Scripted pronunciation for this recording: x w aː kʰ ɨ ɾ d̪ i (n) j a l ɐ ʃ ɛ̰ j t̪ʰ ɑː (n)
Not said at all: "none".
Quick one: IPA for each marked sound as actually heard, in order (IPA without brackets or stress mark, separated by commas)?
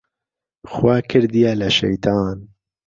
none, n